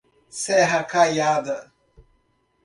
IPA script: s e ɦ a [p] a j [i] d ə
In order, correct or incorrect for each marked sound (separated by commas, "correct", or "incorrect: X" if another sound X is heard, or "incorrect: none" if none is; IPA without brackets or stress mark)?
incorrect: k, incorrect: a